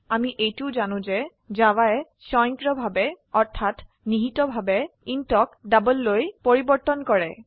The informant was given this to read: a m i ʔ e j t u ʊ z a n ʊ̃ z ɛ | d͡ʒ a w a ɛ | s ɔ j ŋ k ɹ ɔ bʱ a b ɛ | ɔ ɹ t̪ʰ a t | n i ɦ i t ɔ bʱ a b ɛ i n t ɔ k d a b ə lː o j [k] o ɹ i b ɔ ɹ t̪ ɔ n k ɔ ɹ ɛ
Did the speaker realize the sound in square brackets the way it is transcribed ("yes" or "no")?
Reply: no